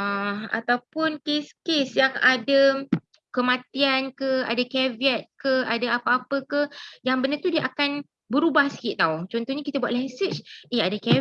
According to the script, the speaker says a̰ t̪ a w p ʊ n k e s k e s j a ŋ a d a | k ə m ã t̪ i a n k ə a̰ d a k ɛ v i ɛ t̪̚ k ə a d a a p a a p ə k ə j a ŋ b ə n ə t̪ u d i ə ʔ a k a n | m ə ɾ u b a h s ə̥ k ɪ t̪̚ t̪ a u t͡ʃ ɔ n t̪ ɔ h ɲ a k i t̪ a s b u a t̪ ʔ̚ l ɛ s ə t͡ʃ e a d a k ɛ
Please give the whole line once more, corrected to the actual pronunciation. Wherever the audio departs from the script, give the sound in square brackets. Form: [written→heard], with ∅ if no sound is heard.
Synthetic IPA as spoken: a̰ t̪ a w p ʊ n k e s k e s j a ŋ a d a | k ə m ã t̪ i a n k ə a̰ d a k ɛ v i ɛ t̪̚ k ə a d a a p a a p ə k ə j a ŋ b ə n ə t̪ u d i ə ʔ a k a n | [m→b] ə ɾ u b a h s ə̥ k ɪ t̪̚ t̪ a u t͡ʃ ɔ n t̪ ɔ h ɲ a k i t̪ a [s→∅] b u a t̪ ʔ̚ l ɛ s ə t͡ʃ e a d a k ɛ